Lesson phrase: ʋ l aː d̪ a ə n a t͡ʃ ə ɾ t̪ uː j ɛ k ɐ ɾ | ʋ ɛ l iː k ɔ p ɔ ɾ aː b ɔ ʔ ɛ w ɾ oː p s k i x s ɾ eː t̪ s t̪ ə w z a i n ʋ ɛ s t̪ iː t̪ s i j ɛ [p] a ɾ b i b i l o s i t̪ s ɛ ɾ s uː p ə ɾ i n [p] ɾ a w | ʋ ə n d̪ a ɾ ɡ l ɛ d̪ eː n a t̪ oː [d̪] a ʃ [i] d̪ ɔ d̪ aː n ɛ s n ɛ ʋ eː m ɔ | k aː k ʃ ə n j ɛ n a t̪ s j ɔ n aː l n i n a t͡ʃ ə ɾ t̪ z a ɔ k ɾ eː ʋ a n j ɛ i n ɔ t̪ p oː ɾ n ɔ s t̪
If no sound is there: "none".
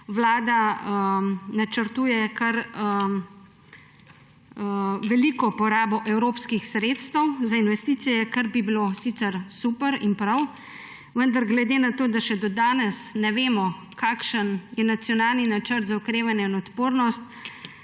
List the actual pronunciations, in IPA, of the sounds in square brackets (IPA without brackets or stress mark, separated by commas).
k, p, d̪, ɛ